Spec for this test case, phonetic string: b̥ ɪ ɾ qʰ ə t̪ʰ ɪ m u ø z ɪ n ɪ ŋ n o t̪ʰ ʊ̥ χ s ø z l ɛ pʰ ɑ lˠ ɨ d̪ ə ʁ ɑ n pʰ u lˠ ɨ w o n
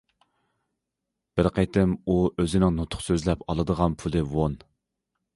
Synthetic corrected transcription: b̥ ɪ ɾ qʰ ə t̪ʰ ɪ m u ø z ɪ n ɪ ŋ n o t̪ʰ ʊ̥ χ s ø z l ɛ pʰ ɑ lˠ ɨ d̪ ə ʁ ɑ n pʰ u lˠ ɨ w o n